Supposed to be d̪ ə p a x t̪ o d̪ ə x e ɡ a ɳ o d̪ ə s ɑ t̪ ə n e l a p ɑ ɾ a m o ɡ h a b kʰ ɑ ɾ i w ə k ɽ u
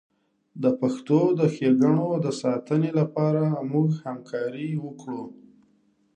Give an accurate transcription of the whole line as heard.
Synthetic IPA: d̪ ə p a x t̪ o d̪ ə x e ɡ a ɳ o d̪ ə s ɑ t̪ ə n e l a p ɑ ɾ a m u ɡ h a m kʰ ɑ ɾ i w ə k ɽ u

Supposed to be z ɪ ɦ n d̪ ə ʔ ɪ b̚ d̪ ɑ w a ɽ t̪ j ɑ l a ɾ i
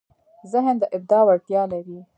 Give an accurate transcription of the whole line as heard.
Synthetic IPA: z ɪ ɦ n d̪ ə ʔ ɪ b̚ d̪ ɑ w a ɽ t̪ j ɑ l a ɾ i

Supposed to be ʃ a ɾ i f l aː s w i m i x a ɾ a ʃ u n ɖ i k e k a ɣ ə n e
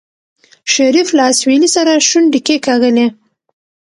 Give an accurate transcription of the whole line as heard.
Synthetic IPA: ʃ a ɾ i f l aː s w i n i s a ɾ a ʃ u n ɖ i k e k a ɣ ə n e

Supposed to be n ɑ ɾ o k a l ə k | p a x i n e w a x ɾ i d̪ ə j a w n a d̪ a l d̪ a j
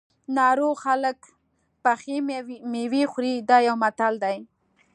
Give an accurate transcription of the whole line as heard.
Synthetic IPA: n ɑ ɾ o x a l ə k | p a x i m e w i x ɾ i d̪ ɑ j a w m a t̪ a l d̪ a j

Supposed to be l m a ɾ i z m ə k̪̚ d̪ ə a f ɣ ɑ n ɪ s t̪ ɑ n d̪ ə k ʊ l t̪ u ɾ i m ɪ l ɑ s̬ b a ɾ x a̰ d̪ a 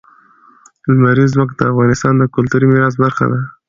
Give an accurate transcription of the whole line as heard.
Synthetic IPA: l m a ɾ i z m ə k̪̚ d̪ ə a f ɣ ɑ n ɪ s t̪ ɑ n d̪ ə k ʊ l t̪ u ɾ i m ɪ ɾ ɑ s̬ b a ɾ x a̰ d̪ a

